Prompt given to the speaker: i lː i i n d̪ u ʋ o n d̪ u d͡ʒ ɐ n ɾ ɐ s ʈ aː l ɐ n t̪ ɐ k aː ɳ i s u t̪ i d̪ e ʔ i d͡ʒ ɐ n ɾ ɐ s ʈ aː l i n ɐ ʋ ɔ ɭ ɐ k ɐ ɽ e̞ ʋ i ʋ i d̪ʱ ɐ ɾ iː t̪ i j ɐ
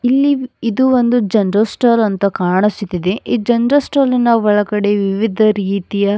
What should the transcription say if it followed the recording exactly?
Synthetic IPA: i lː i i d̪ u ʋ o n d̪ u d͡ʒ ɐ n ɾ ɐ s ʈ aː l ɐ n t̪ ɐ k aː ɳ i s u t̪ i d̪ e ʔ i d͡ʒ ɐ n ɾ ɐ s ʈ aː l i n ɐ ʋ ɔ ɭ ɐ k ɐ ɽ e̞ ʋ i ʋ i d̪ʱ ɐ ɾ iː t̪ i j ɐ

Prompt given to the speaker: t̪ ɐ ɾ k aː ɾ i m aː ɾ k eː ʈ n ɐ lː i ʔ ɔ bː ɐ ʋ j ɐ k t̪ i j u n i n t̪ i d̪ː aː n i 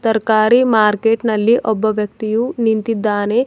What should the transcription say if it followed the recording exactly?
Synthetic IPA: t̪ ɐ ɾ k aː ɾ i m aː ɾ k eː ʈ n ɐ lː i ʔ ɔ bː ɐ ʋ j ɐ k t̪ i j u n i n t̪ i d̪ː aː n e

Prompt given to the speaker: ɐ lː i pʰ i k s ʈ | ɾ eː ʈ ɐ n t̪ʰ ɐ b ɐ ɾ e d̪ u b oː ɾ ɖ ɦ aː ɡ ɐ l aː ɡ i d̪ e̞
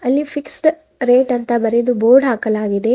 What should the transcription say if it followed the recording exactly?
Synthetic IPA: ɐ lː i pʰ i k s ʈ | ɾ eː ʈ ɐ n t̪ ɐ b ɐ ɾ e d̪ u b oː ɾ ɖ ɦ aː k ɐ l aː ɡ i d̪ e̞

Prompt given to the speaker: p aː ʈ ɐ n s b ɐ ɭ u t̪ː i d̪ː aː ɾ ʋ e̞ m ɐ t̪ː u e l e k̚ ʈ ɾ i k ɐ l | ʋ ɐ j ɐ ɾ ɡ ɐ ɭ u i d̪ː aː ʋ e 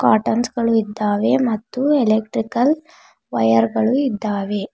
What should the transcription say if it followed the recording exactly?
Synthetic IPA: k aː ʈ ɐ n s ɡ ɐ ɭ u i d̪ː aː ʋ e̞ m ɐ t̪ː u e l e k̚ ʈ ɾ i k ɐ l | ʋ ɐ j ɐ ɾ ɡ ɐ ɭ u i d̪ː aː ʋ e

